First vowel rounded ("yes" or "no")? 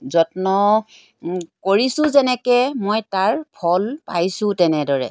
yes